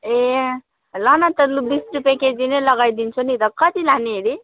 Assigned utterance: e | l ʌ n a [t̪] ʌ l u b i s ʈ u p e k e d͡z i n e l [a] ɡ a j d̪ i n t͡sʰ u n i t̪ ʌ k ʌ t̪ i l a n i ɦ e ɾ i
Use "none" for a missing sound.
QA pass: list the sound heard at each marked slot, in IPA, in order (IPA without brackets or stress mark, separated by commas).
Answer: t̪, ʌ